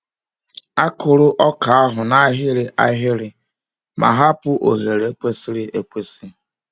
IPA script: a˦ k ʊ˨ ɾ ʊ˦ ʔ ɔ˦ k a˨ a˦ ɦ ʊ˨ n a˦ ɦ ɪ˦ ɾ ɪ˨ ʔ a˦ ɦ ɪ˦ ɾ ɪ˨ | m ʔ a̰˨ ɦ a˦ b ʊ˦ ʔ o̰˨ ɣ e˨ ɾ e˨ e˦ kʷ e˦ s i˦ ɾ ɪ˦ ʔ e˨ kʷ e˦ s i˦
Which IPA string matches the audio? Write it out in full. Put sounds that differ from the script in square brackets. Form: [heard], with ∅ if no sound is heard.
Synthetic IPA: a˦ k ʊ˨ ɾ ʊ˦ ʔ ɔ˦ k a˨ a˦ ɦ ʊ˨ n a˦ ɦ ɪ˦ ɾ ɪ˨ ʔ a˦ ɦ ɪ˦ ɾ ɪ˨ | m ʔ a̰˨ ɦ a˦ [p] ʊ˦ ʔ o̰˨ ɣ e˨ ɾ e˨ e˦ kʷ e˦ s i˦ ɾ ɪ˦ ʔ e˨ kʷ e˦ s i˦

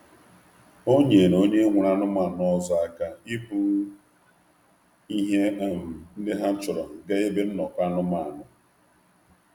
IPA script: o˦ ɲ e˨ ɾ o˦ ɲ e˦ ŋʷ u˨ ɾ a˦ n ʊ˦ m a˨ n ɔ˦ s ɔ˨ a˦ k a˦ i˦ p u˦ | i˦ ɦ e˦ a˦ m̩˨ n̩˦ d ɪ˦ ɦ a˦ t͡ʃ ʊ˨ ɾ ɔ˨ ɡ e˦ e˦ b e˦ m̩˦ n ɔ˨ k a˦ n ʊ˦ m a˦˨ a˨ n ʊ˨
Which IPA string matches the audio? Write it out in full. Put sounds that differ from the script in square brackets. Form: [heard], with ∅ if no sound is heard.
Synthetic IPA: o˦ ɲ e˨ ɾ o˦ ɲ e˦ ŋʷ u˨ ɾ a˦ n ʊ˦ m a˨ n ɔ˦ [z] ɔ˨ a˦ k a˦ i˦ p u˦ | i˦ ɦ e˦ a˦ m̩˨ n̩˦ d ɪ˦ ɦ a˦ t͡ʃ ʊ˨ ɾ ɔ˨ ɡ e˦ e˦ b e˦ [n̩˦] n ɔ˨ k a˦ n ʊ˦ m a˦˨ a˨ n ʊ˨

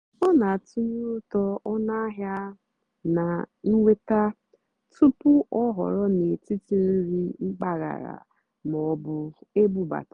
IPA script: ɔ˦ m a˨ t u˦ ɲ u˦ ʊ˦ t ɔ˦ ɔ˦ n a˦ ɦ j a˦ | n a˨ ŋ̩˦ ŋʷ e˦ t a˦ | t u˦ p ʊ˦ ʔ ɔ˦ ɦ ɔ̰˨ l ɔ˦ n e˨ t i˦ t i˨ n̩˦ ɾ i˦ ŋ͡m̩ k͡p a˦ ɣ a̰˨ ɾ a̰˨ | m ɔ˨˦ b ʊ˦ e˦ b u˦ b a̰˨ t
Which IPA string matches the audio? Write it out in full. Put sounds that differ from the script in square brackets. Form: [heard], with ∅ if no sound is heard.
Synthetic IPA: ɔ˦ [n] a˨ t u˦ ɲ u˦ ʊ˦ t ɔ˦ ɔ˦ n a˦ ɦ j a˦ | n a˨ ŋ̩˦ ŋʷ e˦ t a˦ | t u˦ p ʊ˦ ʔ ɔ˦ ɦ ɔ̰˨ [ɾ] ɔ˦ n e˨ t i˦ t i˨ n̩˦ ɾ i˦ ŋ͡m̩ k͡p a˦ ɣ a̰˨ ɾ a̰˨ | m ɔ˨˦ b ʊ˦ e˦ b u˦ b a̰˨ t

